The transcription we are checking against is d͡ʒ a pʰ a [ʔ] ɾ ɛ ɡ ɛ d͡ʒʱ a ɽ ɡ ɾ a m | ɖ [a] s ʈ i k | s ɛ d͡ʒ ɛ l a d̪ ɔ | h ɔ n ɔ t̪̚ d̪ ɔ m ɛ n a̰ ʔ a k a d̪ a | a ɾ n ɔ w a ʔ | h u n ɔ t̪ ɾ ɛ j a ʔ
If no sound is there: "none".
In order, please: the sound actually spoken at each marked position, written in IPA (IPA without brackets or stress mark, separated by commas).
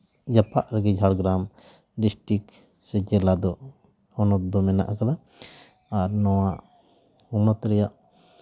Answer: ʔ, i